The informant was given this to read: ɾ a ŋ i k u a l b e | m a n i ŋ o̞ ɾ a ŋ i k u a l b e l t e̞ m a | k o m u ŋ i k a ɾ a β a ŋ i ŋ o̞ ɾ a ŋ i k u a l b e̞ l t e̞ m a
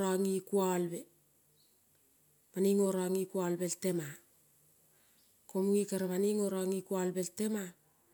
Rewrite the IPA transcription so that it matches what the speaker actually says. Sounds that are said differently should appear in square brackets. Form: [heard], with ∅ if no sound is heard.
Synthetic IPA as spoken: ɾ a ŋ i k u a l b e | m a n i ŋ o̞ ɾ a ŋ i k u a l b e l t e̞ m a | k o m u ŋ i k a ɾ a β a [n] i ŋ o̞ ɾ a ŋ i k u a l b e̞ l t e̞ m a